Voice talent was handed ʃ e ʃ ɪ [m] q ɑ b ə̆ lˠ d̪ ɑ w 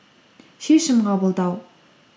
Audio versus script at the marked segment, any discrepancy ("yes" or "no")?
no